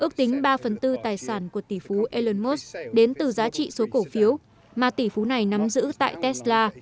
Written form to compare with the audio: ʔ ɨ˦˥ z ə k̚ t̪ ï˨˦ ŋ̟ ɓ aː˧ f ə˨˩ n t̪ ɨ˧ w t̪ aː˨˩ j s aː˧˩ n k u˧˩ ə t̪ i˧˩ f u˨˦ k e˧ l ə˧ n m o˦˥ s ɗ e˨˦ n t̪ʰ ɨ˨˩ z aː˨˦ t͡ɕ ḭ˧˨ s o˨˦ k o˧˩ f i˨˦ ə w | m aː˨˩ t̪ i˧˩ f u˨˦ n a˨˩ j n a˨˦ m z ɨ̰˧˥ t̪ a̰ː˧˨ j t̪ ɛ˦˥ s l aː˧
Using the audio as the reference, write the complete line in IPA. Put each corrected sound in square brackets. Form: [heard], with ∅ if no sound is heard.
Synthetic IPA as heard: ʔ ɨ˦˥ [∅] ə k̚ t̪ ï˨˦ ŋ̟ ɓ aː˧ f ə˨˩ n t̪ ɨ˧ [∅] t̪ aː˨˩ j s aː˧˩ n k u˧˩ ə t̪ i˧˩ f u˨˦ [ʔ] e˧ l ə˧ n m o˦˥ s ɗ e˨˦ n [t̪] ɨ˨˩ z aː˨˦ t͡ɕ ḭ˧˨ s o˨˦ k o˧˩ f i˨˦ ə w | m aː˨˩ t̪ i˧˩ f u˨˦ n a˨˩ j n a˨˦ m z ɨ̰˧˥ t̪ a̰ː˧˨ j t̪ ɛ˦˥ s l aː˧